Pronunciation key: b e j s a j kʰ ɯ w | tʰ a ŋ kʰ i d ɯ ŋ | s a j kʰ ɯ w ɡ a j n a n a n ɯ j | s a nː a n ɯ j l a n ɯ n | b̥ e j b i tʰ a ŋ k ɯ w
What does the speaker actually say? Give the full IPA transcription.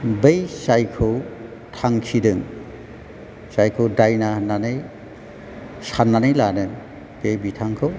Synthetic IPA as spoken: b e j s a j kʰ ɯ w | tʰ a ŋ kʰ i d ɯ ŋ | s a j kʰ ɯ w d a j n a n a n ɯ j | s a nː a n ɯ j l a n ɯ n | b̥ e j b i tʰ a ŋ kʰ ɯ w